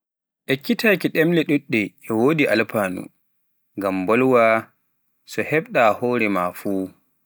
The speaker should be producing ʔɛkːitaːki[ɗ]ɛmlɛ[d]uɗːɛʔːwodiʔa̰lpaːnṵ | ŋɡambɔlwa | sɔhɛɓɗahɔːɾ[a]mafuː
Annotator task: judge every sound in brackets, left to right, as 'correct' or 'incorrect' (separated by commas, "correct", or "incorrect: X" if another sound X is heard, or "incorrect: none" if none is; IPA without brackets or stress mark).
correct, incorrect: ɗ, incorrect: ɛ